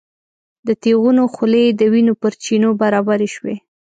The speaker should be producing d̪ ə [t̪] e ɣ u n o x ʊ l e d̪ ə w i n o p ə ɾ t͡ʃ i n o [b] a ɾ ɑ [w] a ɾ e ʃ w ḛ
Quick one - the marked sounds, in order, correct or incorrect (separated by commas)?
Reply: correct, correct, incorrect